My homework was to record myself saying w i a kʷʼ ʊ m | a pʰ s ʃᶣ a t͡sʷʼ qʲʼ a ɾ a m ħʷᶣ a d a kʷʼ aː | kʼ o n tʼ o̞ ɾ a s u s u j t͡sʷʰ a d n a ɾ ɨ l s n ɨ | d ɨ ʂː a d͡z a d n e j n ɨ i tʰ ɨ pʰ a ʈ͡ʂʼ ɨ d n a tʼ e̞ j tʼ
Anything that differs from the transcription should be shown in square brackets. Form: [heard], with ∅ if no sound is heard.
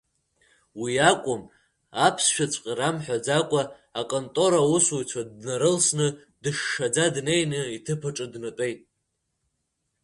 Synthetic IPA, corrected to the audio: w i a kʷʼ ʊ m | a pʰ s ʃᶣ a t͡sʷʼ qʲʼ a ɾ a m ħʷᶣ a [d͡z] a kʷʼ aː | kʼ o n tʼ o̞ ɾ a [∅] u s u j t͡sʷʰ a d n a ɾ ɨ l s n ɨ | d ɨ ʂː a d͡z a d n e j n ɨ i tʰ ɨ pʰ a ʈ͡ʂʼ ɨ d n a tʼ e̞ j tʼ